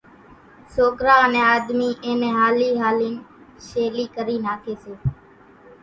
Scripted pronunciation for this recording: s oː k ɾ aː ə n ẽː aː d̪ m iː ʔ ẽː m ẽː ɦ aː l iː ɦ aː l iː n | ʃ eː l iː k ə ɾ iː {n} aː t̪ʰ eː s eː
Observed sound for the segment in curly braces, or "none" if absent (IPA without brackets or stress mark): n